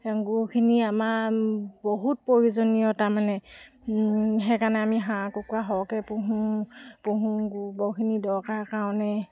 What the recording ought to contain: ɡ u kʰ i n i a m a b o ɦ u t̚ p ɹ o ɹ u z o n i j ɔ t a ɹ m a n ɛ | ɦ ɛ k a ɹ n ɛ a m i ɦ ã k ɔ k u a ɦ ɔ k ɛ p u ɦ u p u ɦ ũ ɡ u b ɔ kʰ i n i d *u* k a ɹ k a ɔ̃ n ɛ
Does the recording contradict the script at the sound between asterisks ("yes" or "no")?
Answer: yes